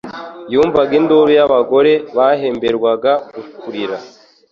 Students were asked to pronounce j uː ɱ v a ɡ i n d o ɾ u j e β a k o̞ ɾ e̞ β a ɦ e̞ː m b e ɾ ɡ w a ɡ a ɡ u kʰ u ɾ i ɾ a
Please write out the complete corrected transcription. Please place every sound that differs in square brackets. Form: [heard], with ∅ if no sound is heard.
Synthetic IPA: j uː ɱ v a ɡ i n d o ɾ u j [a] β a [ɡ] o̞ ɾ e̞ β a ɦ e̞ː m b e ɾ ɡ w a ɡ a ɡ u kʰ u ɾ i ɾ a